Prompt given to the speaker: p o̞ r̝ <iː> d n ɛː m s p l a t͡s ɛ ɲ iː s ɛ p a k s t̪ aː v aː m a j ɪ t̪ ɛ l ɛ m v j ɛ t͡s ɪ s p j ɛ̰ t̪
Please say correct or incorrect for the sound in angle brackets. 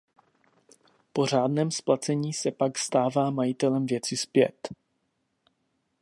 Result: incorrect